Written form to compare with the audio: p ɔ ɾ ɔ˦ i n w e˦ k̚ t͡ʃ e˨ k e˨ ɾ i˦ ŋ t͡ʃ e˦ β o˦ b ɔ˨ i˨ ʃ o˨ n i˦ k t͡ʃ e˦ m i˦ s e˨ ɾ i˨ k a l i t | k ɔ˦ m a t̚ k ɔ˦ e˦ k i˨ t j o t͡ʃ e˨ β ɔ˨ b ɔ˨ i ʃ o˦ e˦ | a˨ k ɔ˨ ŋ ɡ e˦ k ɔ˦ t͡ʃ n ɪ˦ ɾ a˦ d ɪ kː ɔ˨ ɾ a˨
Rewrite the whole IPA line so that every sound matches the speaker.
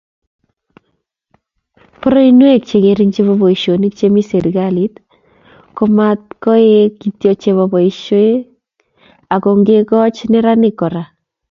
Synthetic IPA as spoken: p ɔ ɾ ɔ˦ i n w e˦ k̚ t͡ʃ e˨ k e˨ ɾ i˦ ŋ t͡ʃ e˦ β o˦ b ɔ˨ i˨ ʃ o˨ n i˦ k t͡ʃ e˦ m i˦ s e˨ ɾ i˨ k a l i t | k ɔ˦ m a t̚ k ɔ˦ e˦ k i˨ t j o t͡ʃ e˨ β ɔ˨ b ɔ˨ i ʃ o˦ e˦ | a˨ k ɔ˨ ŋ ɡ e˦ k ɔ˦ t͡ʃ n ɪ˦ ɾ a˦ n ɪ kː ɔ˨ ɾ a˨